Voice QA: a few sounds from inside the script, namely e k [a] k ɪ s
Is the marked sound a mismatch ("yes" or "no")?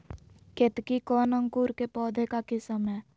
no